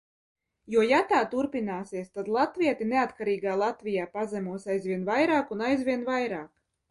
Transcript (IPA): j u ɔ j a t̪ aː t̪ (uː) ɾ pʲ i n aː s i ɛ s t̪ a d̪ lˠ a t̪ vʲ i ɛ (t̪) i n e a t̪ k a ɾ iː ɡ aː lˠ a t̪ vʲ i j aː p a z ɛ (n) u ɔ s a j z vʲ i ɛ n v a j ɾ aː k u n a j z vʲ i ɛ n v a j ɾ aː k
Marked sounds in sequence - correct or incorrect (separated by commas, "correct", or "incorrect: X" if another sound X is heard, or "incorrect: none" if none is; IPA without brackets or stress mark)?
incorrect: u, correct, incorrect: m